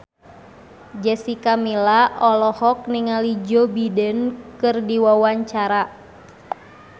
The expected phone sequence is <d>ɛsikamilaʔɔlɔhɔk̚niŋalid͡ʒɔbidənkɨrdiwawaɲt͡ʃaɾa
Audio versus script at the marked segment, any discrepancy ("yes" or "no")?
yes